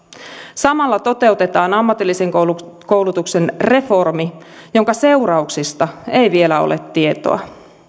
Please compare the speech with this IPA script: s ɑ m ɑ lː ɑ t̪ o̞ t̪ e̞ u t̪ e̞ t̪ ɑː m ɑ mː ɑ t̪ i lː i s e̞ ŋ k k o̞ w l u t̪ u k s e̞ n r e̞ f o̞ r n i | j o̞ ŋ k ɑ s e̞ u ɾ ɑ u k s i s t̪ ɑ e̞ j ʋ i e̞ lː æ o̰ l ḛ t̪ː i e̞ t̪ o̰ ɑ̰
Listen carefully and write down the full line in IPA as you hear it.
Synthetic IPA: s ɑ m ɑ lː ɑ t̪ o̞ t̪ e̞ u t̪ e̞ t̪ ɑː n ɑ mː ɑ t̪ i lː i s e̞ ŋ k k o̞ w l u t̪ u k s e̞ n r e̞ f o̞ r m i | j o̞ ŋ k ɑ s e̞ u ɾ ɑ u k s i s t̪ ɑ e̞ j ʋ i e̞ l æ o̰ l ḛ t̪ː i e̞ t̪ o̰ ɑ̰

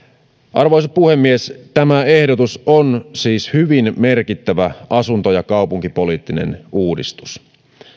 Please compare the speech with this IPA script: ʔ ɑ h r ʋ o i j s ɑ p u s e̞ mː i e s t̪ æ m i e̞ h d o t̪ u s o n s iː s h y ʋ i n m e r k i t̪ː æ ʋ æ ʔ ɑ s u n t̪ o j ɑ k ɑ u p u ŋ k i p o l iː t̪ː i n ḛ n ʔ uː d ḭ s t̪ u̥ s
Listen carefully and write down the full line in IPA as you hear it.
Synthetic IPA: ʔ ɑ r ʋ o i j s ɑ p u h e̞ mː i e s t̪ æ m æ e̞ h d o t̪ u s o n s iː s h y ʋ i n m e r k i t̪ː æ ʋ æ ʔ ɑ s u n t̪ o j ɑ k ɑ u p u ŋ k i p o l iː t̪ː i n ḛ n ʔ uː d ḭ s t̪ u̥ s

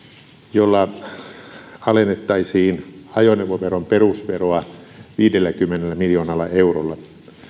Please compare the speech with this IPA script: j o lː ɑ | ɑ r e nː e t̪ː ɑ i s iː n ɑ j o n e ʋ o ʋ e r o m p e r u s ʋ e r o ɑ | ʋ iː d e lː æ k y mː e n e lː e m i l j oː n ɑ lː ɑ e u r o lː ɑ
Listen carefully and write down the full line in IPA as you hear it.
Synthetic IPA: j o lː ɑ | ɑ l e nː e t̪ː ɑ i s iː n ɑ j o n e ʋ o ʋ e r o m p e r u s ʋ e r o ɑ | ʋ iː d e lː æ k y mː e n e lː æ m i l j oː n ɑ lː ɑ e u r o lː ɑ

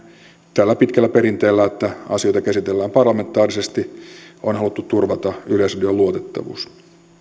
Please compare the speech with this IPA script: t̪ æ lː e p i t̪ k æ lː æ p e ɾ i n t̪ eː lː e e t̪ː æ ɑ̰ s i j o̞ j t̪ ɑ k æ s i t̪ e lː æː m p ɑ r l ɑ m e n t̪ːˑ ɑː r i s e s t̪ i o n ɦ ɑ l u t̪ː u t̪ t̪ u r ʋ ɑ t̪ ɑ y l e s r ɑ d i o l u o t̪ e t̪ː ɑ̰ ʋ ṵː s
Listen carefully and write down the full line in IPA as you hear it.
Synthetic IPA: t̪ æ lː æ p i t̪ k æ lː æ p e ɾ i n t̪ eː lː æ e t̪ː æ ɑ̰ s i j o̞ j t̪ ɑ k æ s i t̪ e lː æː m p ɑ r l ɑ m e n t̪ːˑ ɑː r i s e s t̪ i o n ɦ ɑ l u t̪ː u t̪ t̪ u r ʋ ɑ t̪ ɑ y l e s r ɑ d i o l u o t̪ e t̪ː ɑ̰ ʋ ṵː s

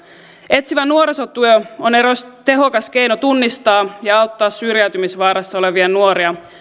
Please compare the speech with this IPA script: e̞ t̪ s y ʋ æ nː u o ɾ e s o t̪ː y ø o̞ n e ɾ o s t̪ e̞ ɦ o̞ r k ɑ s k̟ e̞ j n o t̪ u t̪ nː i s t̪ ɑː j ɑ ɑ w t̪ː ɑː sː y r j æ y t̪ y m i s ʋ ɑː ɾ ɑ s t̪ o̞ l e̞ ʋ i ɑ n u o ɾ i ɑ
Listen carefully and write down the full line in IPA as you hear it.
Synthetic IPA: e̞ t̪ s i ʋ æ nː u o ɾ e s o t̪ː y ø o̞ n e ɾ o s t̪ e̞ ɦ o̞ k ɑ s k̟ e̞ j n o t̪ u nː i s t̪ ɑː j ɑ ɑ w t̪ː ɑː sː y r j æ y t̪ y m i s ʋ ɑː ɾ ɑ s t̪ o̞ l e̞ ʋ i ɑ n u o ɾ i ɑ

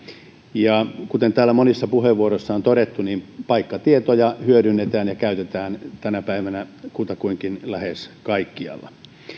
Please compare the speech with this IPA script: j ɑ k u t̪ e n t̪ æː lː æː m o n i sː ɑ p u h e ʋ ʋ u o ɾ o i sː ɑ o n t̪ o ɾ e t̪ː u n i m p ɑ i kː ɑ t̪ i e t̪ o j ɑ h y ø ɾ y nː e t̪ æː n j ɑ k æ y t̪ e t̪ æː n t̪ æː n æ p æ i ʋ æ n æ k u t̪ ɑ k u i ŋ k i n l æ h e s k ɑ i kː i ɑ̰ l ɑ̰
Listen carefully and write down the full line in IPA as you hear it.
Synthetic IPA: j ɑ k u t̪ e n t̪ æː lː æ m o n i sː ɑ p u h e ʋ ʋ u o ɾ o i sː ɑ o n t̪ o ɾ e t̪ː u n i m p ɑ i kː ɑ t̪ i e t̪ o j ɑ h y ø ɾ y nː e t̪ æː n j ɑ k æ y t̪ e t̪ æː n t̪ æ n æ p æ i ʋ æ n æ k u t̪ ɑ k u i ŋ k i n l æ h e s k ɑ i kː i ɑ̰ lː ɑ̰

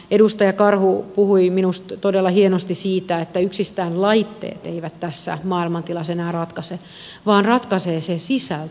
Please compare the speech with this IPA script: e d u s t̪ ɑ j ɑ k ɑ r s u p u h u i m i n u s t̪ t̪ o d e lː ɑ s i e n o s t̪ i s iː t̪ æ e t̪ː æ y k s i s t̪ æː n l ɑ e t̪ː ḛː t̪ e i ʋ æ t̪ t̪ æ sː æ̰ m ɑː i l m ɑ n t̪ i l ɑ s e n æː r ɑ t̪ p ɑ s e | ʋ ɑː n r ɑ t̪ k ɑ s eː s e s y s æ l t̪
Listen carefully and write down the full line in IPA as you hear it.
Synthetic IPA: e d u s t̪ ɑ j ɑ k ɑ r h u p u h u i m i n u s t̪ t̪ o d e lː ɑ h i e n o s t̪ i s iː t̪ æ e t̪ː æ y k s i s t̪ æː n l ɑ i t̪ː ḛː t̪ e i ʋ æ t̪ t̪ æ sː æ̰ m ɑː i l m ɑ n t̪ i l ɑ s e n æː r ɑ t̪ k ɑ s e | ʋ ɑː n r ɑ t̪ k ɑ s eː s e s i s æ l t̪

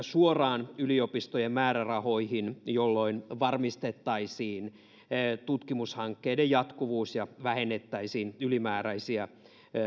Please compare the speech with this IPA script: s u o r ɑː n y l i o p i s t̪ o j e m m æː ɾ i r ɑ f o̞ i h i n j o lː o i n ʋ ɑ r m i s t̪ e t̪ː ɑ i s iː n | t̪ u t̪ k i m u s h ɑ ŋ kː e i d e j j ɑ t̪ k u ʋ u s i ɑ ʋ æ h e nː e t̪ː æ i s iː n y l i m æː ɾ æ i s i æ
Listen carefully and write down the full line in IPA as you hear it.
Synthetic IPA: s u o r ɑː n y l i o p i s t̪ o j e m m æː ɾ æ r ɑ h o̞ i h i n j o lː o i n ʋ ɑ r m i s t̪ e t̪ː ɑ i s iː n | t̪ u t̪ k i m u s h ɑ ŋ kː e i d e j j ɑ t̪ k u ʋ uː s j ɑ ʋ æ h e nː e t̪ː æ i s iː n y l i m æː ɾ æ i s i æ

